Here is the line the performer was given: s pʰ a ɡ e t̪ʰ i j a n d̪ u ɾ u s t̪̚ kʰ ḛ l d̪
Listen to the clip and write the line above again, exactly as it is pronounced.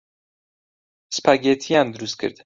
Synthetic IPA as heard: s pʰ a ɡ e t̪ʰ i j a n d̪ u ɾ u s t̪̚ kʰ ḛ ɾ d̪